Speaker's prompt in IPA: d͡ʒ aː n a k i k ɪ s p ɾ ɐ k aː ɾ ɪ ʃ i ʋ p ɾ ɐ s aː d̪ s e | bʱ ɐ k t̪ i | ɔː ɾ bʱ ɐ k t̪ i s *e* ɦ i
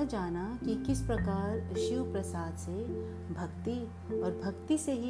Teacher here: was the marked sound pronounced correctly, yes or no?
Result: yes